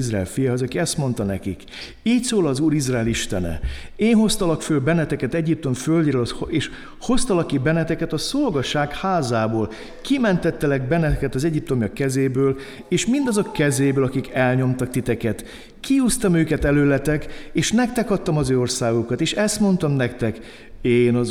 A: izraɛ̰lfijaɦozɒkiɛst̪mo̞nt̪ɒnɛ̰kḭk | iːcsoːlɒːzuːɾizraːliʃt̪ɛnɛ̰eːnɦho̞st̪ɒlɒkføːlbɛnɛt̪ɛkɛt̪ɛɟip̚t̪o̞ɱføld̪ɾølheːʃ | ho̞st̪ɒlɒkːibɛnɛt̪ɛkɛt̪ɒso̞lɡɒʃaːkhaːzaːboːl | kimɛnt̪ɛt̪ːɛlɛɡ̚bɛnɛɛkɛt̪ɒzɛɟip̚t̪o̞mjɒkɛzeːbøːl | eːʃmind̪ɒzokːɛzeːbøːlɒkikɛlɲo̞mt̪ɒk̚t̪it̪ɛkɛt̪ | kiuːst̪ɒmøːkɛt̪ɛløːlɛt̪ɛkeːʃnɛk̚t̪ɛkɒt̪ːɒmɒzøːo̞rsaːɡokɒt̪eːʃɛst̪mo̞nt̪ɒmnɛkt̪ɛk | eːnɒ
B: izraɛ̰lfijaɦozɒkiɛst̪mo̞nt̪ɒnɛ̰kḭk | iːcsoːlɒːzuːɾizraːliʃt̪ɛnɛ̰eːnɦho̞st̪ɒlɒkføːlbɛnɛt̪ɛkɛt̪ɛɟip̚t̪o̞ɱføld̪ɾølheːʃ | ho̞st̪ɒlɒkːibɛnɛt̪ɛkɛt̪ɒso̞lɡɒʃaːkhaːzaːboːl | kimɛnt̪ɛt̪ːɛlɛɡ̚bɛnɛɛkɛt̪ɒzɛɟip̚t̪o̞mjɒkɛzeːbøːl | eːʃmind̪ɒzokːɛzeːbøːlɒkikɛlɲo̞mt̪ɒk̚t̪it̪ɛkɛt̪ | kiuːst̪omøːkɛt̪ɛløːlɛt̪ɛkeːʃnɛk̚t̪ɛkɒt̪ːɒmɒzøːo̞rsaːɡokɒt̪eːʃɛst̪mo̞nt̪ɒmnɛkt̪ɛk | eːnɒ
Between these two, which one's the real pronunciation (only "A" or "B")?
A